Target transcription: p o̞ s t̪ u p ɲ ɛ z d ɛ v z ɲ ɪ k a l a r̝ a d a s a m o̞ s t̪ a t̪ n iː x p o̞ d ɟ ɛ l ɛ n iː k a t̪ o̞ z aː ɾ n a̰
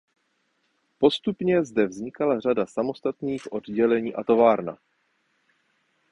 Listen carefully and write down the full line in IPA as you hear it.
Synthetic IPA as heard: p o̞ s t̪ u p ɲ ɛ z d ɛ v z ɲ ɪ k a l a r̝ a d a s a m o̞ s t̪ a t̪ n iː x ʔ o̞ d ɟ ɛ l ɛ ɲ iː ʔ a t̪ o̞ v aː ɾ n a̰

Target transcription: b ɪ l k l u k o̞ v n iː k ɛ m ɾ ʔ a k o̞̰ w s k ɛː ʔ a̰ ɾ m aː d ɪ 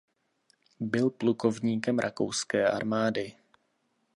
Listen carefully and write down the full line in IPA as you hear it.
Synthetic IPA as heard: b ɪ l p l u k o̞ v ɲ iː k ɛ m ɾ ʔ a k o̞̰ w s k ɛː ʔ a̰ ɾ m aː d ɪ

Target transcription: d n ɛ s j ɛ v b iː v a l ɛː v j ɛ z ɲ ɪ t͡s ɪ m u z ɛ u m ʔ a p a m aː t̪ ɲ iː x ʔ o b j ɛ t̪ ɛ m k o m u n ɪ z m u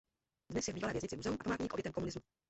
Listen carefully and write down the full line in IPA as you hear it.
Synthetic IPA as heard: d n ɛ s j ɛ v b iː v a l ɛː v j ɛ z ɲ ɪ t͡s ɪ m u z ɛ u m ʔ a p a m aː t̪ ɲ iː k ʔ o b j ɛ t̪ ɛ m k o m u n ɪ z m u

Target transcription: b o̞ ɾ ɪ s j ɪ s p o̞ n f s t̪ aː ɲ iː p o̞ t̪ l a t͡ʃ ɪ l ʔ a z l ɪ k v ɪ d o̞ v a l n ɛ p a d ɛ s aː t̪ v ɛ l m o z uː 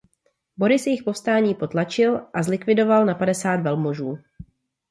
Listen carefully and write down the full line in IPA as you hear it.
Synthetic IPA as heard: b o̞ ɾ ɪ s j ɪ x p o̞ f s t̪ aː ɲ iː p o̞ t̪ l a t͡ʃ ɪ l ʔ a z l ɪ k v ɪ d o̞ v a l n a p a d ɛ s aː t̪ v ɛ l m o ʒ uː

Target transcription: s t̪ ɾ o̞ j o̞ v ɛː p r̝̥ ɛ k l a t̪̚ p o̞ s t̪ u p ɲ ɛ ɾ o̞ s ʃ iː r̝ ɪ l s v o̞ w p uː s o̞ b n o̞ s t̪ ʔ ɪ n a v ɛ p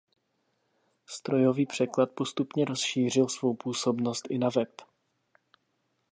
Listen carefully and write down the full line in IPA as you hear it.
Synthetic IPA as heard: s t̪ ɾ o̞ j o̞ v iː p r̝̥ ɛ k l a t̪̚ p o̞ s t̪ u p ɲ ɛ ɾ o̞ s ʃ iː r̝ ɪ l s v o̞ w p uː s o̞ b n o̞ s t̪ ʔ ɪ n a v ɛ p

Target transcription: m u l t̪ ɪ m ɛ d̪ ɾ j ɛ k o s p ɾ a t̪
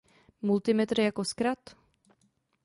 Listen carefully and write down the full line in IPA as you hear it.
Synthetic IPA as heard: m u l t̪ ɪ m ɛ t̪ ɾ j a k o s k ɾ a t̪

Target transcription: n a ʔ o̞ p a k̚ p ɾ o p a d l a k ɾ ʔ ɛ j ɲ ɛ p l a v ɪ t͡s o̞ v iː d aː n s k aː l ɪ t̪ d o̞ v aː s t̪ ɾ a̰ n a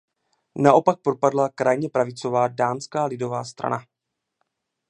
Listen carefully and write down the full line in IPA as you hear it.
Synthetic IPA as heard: n a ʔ o̞ p a k̚ p ɾ o p a d l a k ɾ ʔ a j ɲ ɛ p ɾ a v ɪ t͡s o̞ v aː d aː n s k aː l ɪ d o̞ v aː s t̪ ɾ a̰ n a

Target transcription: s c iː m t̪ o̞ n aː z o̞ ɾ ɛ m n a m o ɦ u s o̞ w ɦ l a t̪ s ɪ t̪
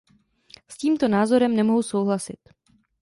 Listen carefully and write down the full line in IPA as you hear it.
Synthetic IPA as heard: s c iː m t̪ o̞ n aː z o̞ ɾ ɛ m n ɛ m o ɦ u s o̞ w ɦ l a s ɪ t̪

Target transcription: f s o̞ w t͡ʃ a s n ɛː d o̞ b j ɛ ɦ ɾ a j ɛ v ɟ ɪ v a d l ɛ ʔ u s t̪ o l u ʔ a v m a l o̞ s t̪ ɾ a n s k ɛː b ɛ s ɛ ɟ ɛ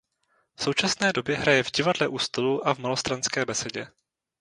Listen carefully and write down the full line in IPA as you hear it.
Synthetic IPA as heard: f s o̞ w t͡ʃ a s n ɛː d o̞ b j ɛ ɦ ɾ a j ɛ v ɟ ɪ v a d l ɛ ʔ u s t̪ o l u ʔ a v m a l o̞ s t̪ ɾ a n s k ɛː b ɛ s ɛ ɟ ɛ

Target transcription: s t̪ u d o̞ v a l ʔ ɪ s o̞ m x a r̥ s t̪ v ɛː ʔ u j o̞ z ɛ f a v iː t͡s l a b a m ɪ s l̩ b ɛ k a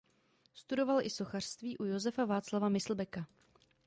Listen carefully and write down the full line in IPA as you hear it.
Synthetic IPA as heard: s t̪ u d o̞ v a l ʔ ɪ s o̞ x a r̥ s t̪ v iː ʔ u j o̞ z ɛ f a v aː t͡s l a v a m ɪ s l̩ b ɛ k a

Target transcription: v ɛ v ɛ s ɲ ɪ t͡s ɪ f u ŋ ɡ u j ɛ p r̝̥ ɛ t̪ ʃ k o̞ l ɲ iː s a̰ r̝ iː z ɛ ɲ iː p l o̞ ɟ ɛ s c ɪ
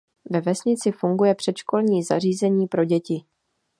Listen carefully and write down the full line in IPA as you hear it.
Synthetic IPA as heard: v ɛ v ɛ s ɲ ɪ t͡s ɪ f u ŋ ɡ u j ɛ p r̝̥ ɛ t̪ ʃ k o̞ l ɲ iː z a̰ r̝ iː z ɛ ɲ iː p ɾ o̞ ɟ ɛ c ɪ

